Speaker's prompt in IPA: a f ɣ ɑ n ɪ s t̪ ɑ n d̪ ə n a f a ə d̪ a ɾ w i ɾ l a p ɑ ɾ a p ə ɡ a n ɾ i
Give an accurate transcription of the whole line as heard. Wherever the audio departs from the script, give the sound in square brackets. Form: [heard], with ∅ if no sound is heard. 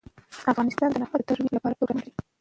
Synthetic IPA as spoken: a f ɣ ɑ n ɪ s t̪ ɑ n d̪ ə n a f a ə [t̪] a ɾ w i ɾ l a p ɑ ɾ a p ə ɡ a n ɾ i